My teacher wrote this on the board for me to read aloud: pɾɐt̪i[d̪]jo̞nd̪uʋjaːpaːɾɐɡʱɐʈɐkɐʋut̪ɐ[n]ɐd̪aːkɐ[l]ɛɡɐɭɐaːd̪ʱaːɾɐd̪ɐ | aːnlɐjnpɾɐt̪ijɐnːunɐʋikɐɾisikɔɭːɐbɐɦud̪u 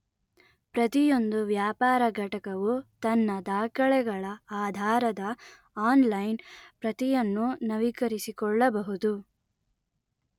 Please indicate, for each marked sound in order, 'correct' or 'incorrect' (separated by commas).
incorrect, incorrect, incorrect